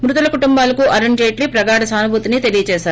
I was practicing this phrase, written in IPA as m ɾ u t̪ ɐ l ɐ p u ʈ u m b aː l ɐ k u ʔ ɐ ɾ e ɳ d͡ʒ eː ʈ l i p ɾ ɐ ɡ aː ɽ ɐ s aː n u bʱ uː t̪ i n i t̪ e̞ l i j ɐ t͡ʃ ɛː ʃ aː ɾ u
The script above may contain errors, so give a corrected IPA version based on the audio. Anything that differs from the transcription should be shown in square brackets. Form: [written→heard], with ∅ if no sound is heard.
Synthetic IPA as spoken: m ɾ u t̪ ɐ l ɐ [p→k] u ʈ u m b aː l ɐ k u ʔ ɐ ɾ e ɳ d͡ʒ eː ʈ l i p ɾ ɐ ɡ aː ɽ ɐ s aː n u bʱ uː t̪ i n i t̪ e̞ l i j ɐ t͡ʃ ɛː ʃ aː ɾ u